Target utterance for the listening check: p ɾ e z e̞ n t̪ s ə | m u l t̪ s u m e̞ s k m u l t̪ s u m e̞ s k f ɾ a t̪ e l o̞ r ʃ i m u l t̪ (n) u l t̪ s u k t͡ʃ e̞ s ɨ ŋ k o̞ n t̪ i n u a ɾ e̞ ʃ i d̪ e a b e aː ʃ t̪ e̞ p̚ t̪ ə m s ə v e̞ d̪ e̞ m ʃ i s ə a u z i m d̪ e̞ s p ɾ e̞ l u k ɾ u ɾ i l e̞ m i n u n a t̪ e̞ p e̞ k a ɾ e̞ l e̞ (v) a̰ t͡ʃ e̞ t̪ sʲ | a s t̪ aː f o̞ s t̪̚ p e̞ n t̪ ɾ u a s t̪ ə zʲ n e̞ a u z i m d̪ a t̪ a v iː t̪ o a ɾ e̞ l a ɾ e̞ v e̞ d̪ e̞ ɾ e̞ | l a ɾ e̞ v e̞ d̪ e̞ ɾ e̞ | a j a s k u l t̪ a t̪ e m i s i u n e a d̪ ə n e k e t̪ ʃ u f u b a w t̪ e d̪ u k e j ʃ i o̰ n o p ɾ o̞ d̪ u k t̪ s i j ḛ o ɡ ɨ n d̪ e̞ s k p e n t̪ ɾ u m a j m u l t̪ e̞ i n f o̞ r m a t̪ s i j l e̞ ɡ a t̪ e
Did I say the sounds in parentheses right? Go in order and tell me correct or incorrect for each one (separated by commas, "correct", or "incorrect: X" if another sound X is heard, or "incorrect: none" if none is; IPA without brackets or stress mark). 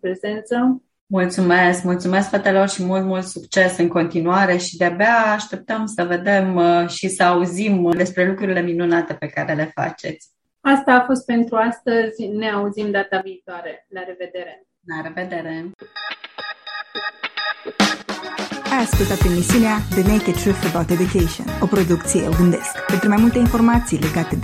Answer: incorrect: m, incorrect: f